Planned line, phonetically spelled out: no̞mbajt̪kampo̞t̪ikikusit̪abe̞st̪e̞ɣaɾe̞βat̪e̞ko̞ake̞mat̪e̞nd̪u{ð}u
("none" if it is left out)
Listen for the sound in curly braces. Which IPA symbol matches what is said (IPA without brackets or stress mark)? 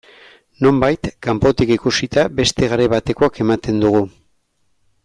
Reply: ɣ